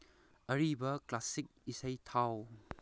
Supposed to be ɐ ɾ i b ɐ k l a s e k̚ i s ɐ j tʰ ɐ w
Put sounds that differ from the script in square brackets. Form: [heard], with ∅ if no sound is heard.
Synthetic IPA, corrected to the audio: ɐ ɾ i b ɐ k l a s [i] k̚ i s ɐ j tʰ [a] w